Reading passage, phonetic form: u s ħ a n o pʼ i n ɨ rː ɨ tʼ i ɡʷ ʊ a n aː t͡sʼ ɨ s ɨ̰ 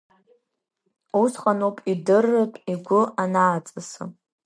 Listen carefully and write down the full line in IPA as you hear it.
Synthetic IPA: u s χ a n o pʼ i d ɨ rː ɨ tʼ i ɡʷ ʊ a n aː t͡sʼ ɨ s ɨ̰